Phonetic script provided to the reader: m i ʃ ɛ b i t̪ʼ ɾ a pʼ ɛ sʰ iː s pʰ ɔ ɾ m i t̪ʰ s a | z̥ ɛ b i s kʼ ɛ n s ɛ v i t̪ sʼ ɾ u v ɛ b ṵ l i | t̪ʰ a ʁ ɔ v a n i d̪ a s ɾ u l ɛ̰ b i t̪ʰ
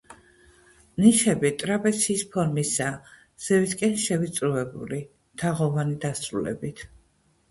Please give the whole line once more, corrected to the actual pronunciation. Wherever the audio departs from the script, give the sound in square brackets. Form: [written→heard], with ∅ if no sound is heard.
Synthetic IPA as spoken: [m→n] i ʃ ɛ b i t̪ʼ ɾ a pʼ ɛ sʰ iː s pʰ ɔ ɾ m i [t̪ʰ→∅] s a | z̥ ɛ [b→v] i s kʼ ɛ n [s→ʃ] ɛ v i t̪ sʼ ɾ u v ɛ b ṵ l i | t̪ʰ a ʁ ɔ v a n i d̪ a s ɾ u l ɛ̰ b i t̪ʰ